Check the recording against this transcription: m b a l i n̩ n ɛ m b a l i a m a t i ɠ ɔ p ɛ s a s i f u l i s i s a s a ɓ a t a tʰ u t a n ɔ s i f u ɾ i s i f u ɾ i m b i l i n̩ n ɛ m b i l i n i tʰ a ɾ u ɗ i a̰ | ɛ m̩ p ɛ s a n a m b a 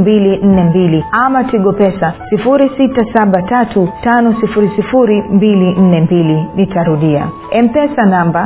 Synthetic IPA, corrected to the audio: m b i l i n̩ n ɛ m b i l i a m a t i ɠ ɔ p ɛ s a s i f u ɾ i s i t a s a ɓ a t a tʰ u t a n ɔ s i f u ɾ i s i f u ɾ i m b i l i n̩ n ɛ m b i l i n i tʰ a ɾ u ɗ i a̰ | ɛ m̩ p ɛ s a n a m b a